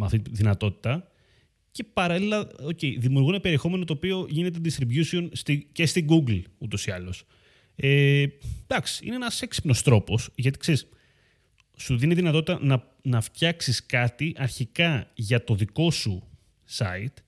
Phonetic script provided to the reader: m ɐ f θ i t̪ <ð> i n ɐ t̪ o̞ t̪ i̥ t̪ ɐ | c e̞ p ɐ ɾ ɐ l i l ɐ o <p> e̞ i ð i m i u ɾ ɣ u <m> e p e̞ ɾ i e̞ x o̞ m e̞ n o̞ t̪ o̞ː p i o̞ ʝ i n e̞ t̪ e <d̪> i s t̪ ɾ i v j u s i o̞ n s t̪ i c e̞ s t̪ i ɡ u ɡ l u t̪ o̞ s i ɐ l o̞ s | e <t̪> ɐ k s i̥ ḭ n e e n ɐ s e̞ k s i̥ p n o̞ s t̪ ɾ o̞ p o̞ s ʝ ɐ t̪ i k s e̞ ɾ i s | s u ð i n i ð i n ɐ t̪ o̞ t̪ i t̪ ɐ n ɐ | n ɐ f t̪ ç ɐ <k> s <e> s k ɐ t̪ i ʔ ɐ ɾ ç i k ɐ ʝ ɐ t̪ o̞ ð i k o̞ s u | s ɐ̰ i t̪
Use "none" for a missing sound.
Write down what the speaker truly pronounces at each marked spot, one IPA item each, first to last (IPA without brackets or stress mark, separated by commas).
ð, c, n, d̪, d̪, k, i